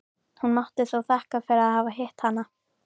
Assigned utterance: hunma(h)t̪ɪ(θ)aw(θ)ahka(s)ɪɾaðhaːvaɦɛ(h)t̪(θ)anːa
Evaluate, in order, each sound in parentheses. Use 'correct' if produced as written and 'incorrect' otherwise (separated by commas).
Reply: correct, correct, correct, incorrect, correct, incorrect